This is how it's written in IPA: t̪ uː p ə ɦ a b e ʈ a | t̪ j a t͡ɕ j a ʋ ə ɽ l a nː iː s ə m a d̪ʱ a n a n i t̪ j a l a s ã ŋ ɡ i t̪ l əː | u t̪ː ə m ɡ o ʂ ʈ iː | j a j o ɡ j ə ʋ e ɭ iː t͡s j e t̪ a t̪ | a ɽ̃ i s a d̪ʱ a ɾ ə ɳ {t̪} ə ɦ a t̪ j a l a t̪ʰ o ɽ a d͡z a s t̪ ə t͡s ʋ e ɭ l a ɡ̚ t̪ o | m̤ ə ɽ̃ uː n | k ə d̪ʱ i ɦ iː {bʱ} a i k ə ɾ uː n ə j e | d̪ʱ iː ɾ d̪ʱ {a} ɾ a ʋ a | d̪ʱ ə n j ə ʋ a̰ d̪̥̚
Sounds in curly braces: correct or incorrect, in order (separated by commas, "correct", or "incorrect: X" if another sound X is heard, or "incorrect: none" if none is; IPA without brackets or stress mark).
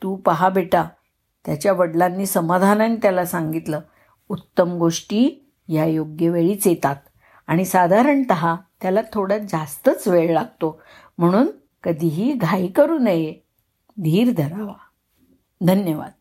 correct, incorrect: ɡʱ, incorrect: ə